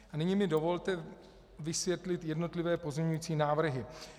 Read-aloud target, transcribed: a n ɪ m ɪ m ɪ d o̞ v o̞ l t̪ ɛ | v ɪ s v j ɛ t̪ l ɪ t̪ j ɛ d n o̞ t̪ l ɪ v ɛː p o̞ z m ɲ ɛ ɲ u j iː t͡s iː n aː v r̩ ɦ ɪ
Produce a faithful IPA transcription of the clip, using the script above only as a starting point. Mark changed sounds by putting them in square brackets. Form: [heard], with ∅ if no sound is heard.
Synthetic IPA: a n ɪ [ɲ] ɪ m ɪ d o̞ v o̞ l t̪ ɛ | v ɪ s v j ɛ t̪ l ɪ t̪ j ɛ d n o̞ t̪ l ɪ v ɛː p o̞ z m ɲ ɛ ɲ u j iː t͡s iː n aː v r̩ ɦ ɪ

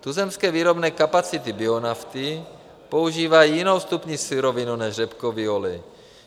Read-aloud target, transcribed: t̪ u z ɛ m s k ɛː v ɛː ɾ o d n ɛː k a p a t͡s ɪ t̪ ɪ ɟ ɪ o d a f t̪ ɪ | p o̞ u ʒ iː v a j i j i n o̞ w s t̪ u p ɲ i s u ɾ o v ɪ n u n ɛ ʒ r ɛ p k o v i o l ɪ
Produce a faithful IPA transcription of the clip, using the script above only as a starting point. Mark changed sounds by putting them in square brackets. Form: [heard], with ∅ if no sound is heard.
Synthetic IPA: t̪ u z ɛ m s k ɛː v [iː] ɾ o [b] n ɛː k a p a t͡s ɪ t̪ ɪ [b] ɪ o [n] a f t̪ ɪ | p o̞ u ʒ iː v a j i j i n o̞ w s t̪ u p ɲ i s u ɾ o v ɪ n u n ɛ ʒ r ɛ p k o v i o l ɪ

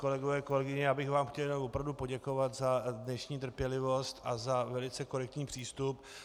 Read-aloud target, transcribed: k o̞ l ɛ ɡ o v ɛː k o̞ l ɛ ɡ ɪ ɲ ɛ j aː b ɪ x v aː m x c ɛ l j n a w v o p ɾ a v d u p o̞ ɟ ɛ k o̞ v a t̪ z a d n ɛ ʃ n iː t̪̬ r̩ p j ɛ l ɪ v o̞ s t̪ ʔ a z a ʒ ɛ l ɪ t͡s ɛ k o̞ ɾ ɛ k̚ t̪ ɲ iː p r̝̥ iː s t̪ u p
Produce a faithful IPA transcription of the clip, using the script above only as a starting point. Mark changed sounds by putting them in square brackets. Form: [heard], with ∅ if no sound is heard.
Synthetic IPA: k o̞ l ɛ ɡ o v ɛː k o̞ l ɛ ɡ ɪ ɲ ɛ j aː b ɪ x v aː m x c ɛ l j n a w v o p ɾ a v d u p o̞ ɟ ɛ k o̞ v a t̪ z a d n ɛ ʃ [ɲ] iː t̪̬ r̩ p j ɛ l ɪ v o̞ s t̪ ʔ a z a [v] ɛ l ɪ t͡s ɛ k o̞ ɾ ɛ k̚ t̪ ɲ iː p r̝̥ iː s t̪ u p

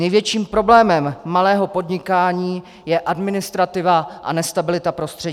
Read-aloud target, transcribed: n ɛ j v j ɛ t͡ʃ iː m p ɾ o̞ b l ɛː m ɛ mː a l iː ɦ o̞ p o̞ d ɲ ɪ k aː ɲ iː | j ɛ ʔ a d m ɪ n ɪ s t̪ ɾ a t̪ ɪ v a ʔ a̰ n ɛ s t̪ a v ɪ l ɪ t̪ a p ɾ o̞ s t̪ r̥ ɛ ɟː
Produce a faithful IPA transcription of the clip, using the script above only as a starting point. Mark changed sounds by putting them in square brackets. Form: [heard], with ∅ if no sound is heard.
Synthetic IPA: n ɛ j v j ɛ t͡ʃ iː m p ɾ o̞ b l ɛː m ɛ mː a l [ɛː] ɦ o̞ p o̞ d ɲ ɪ k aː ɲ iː | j ɛ ʔ a d m ɪ n ɪ s t̪ ɾ a t̪ ɪ v a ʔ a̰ n ɛ s t̪ a [b] ɪ l ɪ t̪ a p ɾ o̞ s t̪ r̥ ɛ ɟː

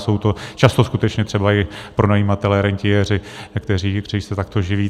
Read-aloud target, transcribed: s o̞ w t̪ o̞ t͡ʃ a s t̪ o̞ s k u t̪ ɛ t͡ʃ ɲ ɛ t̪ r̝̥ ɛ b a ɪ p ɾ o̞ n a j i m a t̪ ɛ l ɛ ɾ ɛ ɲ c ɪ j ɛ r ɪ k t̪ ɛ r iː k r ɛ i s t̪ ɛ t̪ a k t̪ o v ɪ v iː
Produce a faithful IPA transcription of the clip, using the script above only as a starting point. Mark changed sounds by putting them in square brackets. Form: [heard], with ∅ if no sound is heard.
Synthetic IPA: s o̞ w t̪ o̞ t͡ʃ a s t̪ o̞ s k u t̪ ɛ t͡ʃ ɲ ɛ t̪ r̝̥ ɛ b a ɪ p ɾ o̞ n a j i m a t̪ ɛ l ɛ ɾ ɛ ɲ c ɪ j ɛ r ɪ k t̪ ɛ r iː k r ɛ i s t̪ ɛ t̪ a k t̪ o [ʒ] ɪ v iː

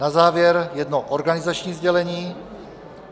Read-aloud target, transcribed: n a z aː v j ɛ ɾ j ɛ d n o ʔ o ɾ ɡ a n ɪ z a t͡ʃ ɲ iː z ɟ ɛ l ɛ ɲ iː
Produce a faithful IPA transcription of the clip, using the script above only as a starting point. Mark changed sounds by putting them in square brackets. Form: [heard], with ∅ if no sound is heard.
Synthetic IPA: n a z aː v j ɛ ɾ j ɛ d n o ʔ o ɾ ɡ a n ɪ z a t͡ʃ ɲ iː z ɟ ɛ l ɛ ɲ iː

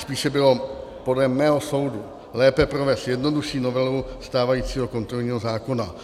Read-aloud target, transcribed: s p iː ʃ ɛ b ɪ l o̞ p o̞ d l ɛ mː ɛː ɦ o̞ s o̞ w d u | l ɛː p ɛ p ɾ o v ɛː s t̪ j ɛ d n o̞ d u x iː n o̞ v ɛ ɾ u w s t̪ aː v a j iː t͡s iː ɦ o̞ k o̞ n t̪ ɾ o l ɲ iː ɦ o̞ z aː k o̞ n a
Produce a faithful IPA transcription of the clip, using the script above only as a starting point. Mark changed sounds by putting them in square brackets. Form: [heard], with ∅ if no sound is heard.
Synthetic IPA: s p iː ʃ ɛ b ɪ l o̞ p o̞ d l ɛ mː ɛː ɦ o̞ s o̞ w d u | l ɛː p ɛ p ɾ o v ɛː s t̪ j ɛ d n o̞ d u [ʃ] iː n o̞ v ɛ [l] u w s t̪ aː v a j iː t͡s iː ɦ o̞ k o̞ n t̪ ɾ o l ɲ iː ɦ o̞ z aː k o̞ n a

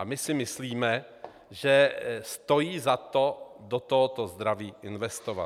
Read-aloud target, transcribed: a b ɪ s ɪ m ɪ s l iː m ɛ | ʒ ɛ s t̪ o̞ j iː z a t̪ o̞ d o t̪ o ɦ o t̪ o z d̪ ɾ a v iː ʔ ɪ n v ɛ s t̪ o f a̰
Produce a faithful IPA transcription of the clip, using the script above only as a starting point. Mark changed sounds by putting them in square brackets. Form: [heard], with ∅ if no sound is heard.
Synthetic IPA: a [m] ɪ s ɪ m ɪ s l iː m ɛ | ʒ ɛ s t̪ o̞ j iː z a t̪ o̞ d o t̪ o ɦ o t̪ o z d̪ ɾ a v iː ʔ ɪ n v ɛ s t̪ o [v] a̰

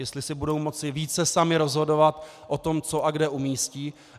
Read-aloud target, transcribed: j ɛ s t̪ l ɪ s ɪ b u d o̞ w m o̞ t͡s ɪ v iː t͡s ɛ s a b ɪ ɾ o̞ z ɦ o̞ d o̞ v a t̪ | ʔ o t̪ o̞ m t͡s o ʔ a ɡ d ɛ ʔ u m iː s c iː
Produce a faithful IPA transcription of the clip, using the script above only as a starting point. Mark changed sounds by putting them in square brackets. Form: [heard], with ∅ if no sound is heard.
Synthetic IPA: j ɛ s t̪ l ɪ s ɪ b u d o̞ w m o̞ t͡s ɪ v iː t͡s ɛ s a [m] ɪ ɾ o̞ z ɦ o̞ d o̞ v a t̪ | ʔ o t̪ o̞ m t͡s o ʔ a ɡ d ɛ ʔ u m iː s c iː

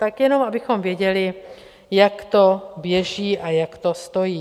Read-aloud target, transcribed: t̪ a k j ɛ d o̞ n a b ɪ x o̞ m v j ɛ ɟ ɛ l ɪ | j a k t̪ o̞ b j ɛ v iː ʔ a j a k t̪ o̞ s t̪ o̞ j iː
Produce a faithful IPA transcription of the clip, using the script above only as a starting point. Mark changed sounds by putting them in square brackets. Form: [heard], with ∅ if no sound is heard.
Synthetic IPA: t̪ a k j ɛ [n] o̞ [m] a b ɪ x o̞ m v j ɛ ɟ ɛ l ɪ | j a k t̪ o̞ b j ɛ [ʒ] iː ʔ a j a k t̪ o̞ s t̪ o̞ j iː

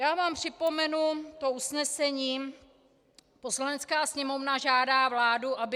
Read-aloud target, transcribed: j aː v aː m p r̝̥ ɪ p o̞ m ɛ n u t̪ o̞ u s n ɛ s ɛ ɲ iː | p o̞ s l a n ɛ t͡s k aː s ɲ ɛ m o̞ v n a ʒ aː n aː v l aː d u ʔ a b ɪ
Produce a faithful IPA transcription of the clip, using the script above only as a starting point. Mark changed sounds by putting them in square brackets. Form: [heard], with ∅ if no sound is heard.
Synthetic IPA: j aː v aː m p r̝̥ ɪ p o̞ m ɛ n u t̪ o̞ u s n ɛ s ɛ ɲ iː | p o̞ s l a n ɛ t͡s k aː s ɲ ɛ m o̞ v n a ʒ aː [d] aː v l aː d u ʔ a b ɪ

